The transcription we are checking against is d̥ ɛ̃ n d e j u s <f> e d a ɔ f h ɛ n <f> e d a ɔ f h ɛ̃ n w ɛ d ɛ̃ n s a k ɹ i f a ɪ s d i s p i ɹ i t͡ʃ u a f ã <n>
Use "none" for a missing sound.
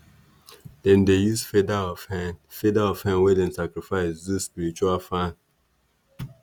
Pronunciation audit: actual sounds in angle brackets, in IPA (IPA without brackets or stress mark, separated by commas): f, f, n